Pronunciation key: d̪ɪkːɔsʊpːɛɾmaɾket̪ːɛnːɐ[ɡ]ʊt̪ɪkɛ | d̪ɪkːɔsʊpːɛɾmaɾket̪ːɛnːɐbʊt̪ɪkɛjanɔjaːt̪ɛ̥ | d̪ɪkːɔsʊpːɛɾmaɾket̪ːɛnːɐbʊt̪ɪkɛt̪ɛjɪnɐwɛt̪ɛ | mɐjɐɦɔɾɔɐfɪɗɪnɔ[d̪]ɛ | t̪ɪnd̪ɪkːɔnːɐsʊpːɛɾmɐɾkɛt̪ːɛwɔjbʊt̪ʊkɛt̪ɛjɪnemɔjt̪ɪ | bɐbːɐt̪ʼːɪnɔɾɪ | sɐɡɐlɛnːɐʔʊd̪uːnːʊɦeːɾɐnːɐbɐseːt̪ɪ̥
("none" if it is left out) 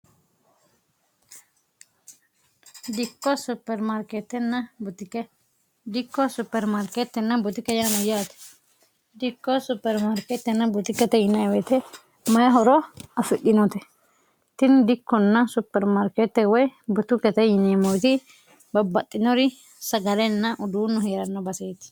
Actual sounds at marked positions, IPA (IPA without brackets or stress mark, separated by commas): b, t̪